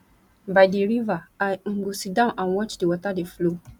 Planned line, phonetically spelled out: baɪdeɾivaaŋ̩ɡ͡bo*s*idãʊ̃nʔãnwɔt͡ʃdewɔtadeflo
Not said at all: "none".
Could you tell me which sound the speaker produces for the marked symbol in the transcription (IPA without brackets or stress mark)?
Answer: s